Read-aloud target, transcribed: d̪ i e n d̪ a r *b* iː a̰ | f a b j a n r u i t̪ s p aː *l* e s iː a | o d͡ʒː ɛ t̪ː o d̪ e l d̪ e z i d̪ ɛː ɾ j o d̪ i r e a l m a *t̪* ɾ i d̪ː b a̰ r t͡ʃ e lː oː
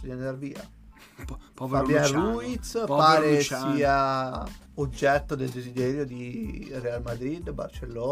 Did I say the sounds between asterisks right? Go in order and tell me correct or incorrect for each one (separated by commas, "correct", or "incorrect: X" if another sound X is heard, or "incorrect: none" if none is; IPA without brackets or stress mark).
incorrect: v, incorrect: ɾ, incorrect: d̪